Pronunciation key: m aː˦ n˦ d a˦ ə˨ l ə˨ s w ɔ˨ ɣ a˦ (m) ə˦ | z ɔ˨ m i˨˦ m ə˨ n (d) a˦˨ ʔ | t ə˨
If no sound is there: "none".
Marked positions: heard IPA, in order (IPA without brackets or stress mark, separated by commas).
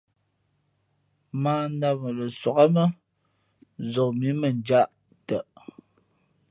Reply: m, d͡ʒ